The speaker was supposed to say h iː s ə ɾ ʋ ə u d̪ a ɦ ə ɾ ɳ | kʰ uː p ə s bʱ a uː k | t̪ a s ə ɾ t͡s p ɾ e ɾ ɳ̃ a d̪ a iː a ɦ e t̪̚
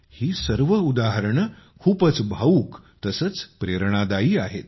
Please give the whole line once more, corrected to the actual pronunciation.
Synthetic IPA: h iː s ə ɾ ʋ ə u d̪ a ɦ ə ɾ ɳ | kʰ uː p ə t͡s bʱ a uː k | t̪ ə s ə t͡s p ɾ e ɾ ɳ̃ a d̪ a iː a ɦ e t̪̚